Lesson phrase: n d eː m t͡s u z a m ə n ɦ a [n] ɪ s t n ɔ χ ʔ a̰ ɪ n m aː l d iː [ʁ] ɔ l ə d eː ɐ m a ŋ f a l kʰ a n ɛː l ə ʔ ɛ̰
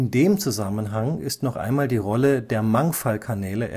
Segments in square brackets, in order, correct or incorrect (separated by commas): incorrect, correct